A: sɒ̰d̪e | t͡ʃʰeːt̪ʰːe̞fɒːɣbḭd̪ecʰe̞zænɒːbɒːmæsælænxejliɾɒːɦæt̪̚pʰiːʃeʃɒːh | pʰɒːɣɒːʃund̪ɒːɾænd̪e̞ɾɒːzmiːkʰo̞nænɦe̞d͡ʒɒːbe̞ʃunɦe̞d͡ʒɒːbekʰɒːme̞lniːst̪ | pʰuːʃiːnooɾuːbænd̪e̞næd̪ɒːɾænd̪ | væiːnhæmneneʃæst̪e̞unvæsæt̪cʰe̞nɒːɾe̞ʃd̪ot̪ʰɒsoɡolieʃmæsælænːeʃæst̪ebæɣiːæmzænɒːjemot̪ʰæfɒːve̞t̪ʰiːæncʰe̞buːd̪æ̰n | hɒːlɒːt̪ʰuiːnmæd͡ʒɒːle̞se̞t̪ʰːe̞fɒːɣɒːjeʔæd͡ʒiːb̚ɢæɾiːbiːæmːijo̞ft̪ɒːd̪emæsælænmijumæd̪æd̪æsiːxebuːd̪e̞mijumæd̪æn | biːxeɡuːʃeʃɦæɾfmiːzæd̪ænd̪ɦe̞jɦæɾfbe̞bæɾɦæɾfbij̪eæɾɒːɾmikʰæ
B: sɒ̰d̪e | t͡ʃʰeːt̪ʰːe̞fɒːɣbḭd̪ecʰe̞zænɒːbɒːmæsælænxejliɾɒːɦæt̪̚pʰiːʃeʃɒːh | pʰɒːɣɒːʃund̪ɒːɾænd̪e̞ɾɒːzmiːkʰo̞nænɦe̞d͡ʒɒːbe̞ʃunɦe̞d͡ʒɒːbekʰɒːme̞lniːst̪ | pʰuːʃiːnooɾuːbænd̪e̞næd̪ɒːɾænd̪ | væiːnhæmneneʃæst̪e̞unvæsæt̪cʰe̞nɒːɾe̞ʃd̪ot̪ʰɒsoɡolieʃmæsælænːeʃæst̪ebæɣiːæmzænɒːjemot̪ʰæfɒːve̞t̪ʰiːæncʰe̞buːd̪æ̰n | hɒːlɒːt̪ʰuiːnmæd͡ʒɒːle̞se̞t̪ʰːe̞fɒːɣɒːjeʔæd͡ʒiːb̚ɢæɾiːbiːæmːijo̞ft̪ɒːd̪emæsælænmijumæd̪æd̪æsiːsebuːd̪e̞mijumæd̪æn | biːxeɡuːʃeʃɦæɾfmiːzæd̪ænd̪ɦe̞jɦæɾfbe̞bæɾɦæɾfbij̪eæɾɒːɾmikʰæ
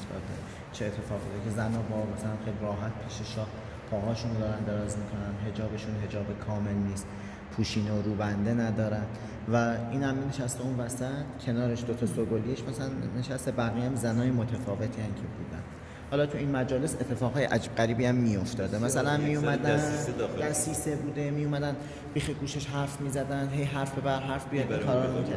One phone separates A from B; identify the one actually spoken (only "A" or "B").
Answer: B